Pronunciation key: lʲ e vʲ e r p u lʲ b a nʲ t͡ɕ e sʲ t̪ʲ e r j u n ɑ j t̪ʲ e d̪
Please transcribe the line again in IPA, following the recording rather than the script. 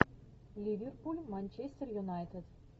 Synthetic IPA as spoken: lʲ i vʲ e r p u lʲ m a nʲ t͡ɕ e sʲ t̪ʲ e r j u n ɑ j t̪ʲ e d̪